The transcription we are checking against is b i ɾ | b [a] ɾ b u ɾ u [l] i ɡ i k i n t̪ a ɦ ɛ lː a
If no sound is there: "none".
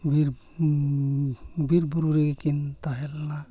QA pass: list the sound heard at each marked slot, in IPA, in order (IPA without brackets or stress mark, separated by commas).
i, ɾ